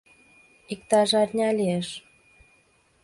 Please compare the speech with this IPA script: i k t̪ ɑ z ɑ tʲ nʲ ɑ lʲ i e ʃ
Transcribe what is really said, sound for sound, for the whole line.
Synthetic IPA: i k t̪ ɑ ʒ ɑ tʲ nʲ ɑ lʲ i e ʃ